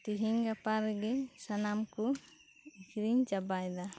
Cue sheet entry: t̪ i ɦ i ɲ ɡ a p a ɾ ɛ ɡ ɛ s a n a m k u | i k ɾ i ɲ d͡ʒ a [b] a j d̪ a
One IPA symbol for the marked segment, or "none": b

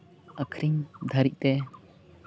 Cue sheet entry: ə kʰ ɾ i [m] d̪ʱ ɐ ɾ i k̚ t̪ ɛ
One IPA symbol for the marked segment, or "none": ŋ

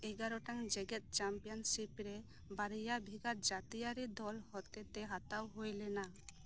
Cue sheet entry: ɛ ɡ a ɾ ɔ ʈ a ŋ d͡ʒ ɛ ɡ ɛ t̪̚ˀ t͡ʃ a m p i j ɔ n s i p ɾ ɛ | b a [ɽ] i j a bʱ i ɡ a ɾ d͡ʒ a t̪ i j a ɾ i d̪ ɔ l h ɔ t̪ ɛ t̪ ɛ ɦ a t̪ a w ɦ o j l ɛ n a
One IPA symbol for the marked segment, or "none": ɾ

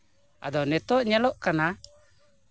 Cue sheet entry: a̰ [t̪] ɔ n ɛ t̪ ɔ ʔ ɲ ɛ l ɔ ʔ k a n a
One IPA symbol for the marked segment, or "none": d̪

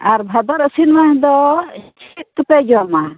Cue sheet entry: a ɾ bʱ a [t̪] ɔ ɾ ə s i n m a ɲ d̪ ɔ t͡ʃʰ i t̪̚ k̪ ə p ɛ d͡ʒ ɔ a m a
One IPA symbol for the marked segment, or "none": d̪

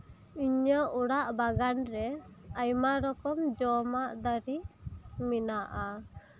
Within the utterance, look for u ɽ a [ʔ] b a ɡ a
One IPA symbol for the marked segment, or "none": ʔ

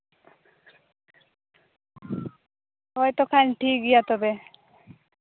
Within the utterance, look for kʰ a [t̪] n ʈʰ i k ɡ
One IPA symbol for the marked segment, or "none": none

